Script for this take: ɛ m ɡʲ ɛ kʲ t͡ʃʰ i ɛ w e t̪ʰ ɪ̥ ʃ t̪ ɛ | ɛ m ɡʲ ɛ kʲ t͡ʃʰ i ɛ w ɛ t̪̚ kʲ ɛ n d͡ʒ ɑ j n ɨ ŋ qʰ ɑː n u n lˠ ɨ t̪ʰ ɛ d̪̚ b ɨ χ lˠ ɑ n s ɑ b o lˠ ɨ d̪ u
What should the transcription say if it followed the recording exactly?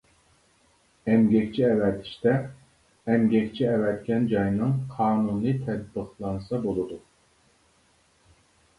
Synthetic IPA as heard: ɛ m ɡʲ ɛ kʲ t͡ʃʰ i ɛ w ɛ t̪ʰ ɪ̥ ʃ t̪ ɛ | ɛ m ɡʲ ɛ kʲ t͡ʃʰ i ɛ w ɛ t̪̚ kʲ ɛ n d͡ʒ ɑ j n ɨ ŋ qʰ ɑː n u n lˠ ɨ t̪ʰ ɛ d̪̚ b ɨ χ lˠ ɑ n s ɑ b o lˠ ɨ d̪ u